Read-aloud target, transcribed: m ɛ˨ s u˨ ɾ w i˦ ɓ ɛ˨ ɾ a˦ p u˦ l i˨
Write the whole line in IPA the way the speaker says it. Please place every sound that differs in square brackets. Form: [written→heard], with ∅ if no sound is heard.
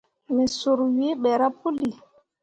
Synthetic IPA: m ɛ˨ s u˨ ɾ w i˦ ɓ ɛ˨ ɾ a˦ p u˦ l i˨

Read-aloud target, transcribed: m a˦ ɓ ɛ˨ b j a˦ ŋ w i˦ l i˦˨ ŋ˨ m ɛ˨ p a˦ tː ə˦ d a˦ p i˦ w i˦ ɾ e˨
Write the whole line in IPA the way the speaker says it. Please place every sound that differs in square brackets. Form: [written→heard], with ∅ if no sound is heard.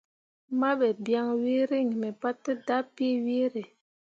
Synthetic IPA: m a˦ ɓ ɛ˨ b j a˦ ŋ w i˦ [l→ɾ] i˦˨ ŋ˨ m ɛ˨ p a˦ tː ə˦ d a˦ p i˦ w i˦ ɾ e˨

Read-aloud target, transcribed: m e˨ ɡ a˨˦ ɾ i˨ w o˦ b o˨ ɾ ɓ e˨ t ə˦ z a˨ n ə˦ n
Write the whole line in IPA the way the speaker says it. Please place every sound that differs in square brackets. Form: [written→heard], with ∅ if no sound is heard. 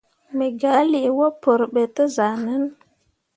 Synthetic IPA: m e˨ ɡ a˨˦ [ɾ→l] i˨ w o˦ [b→p] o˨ ɾ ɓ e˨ t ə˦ z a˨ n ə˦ n

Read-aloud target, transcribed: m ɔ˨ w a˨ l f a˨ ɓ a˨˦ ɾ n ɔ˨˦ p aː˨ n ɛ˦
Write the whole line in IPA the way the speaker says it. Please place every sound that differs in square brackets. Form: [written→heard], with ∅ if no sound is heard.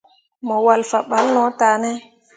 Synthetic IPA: m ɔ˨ w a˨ l f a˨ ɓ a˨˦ [ɾ→l] n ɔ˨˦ [p→t] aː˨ n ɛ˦

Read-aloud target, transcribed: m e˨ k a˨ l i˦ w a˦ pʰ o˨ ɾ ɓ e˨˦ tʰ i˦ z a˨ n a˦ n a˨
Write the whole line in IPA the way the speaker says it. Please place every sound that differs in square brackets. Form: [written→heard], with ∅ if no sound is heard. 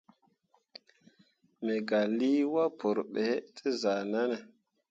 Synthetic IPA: m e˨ [k→ɡ] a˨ l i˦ w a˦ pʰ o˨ ɾ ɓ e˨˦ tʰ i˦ z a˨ n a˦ n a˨

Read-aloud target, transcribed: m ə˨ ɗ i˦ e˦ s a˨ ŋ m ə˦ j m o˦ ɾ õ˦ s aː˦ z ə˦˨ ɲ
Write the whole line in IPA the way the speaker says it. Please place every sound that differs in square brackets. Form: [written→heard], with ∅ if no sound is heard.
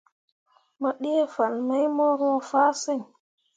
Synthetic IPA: m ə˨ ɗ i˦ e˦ [s→f] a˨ [ŋ→n] m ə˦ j m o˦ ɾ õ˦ [s→f] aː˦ [z→s] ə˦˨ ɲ

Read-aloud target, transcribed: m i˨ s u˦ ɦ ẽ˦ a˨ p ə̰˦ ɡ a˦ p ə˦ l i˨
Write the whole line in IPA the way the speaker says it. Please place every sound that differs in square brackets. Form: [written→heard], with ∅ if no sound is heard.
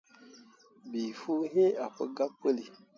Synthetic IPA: [m→b] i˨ [s→f] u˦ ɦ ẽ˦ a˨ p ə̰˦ ɡ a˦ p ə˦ l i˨

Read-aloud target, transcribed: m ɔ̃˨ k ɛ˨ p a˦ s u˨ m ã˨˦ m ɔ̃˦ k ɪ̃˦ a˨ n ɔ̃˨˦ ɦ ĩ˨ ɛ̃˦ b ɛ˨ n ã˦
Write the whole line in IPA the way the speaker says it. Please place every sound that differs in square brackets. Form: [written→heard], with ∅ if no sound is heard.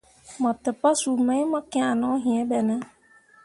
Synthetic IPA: m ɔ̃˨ [k→t] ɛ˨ p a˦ s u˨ m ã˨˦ m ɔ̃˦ k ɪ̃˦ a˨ n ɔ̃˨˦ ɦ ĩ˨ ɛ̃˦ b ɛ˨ n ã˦

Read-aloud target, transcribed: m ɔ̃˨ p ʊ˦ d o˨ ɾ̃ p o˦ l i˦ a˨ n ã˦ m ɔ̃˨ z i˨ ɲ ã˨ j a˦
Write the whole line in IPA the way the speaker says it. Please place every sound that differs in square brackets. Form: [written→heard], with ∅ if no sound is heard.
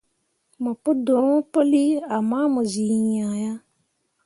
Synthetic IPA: m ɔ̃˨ p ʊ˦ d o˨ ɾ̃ p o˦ l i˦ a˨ [n→m] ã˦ m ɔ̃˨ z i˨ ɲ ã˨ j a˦

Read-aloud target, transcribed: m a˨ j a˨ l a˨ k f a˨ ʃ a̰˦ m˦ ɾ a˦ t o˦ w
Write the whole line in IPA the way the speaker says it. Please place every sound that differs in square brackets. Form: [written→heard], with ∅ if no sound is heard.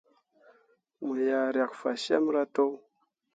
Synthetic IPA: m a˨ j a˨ [l→ɾ] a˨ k f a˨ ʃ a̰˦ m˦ ɾ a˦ t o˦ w

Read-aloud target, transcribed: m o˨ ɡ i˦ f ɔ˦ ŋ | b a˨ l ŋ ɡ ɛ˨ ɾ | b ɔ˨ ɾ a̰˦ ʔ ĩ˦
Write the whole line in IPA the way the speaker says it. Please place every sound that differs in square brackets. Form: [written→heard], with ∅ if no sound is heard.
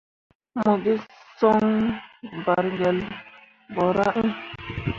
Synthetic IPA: m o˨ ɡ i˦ [f→s] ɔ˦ ŋ | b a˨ [l→ɾ] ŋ ɡ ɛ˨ [ɾ→l] | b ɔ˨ ɾ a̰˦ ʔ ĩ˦

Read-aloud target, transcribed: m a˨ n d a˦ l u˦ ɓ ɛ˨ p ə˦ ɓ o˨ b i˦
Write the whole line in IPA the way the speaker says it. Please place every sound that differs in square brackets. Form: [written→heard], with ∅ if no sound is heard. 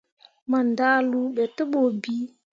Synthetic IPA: m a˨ n d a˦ l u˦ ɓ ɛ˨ [p→t] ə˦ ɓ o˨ b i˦

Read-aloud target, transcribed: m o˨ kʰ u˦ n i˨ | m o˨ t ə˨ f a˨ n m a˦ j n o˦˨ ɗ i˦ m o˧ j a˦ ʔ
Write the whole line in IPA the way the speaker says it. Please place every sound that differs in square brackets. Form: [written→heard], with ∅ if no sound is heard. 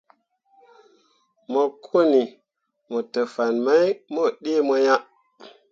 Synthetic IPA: m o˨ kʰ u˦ n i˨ | m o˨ t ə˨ f a˨ n m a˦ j [n→m] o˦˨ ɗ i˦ m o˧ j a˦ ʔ

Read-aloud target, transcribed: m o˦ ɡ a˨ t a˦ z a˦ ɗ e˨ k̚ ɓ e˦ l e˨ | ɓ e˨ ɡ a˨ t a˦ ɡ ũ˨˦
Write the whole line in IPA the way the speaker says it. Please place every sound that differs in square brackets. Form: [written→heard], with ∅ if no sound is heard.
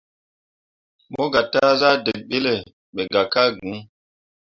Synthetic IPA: m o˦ ɡ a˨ t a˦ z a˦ [ɗ→d] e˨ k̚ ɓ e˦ l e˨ | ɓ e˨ ɡ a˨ [t→k] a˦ ɡ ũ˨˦

